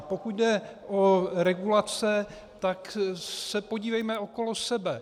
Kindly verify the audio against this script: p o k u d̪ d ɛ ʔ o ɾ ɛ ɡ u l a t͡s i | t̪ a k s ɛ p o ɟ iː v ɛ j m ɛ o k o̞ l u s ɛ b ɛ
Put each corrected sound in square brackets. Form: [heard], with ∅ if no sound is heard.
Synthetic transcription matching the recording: p o k u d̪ d ɛ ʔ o ɾ ɛ ɡ u l a t͡s [ɛ] | t̪ a k s ɛ p o ɟ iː v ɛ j m ɛ o k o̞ l [o] s ɛ b ɛ